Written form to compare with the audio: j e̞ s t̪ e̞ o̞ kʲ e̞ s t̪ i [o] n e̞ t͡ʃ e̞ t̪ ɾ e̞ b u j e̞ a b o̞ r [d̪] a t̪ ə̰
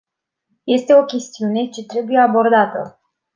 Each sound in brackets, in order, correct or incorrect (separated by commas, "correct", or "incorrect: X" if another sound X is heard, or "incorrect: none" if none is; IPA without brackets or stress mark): incorrect: u, correct